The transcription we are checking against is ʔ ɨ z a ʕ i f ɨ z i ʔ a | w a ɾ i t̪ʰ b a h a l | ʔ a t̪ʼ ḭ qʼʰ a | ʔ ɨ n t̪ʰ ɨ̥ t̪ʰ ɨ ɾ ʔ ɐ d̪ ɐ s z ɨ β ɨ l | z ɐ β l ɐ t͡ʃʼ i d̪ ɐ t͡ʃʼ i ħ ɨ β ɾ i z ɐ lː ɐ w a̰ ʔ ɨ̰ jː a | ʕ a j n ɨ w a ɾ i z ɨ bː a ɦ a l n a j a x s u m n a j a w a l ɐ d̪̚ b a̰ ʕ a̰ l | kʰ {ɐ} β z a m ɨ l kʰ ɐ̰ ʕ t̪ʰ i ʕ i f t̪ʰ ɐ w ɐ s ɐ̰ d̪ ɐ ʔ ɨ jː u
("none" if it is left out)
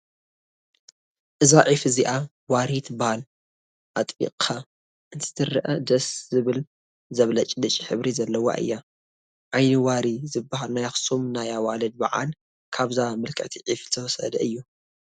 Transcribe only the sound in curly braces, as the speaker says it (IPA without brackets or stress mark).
a